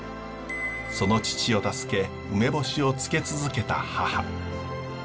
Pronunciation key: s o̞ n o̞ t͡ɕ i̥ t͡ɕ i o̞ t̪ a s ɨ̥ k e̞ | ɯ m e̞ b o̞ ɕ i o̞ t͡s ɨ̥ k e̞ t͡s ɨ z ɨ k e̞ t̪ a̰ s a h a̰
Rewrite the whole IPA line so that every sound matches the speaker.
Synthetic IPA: s o̞ n o̞ t͡ɕ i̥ t͡ɕ i o̞ t̪ a s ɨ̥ k e̞ | ɯ m e̞ b o̞ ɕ i o̞ t͡s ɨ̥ k e̞ t͡s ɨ z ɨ k e̞ t̪ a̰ h a h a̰